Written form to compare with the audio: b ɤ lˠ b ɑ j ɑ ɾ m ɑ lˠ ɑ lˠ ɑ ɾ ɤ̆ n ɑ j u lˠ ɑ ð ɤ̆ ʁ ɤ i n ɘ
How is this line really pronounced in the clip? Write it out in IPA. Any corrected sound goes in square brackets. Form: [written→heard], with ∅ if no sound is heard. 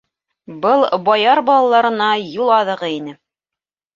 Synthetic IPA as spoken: b ɤ lˠ b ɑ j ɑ ɾ [m→b] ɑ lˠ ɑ lˠ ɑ ɾ ɤ̆ n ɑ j u lˠ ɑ ð ɤ̆ ʁ ɤ i n ɘ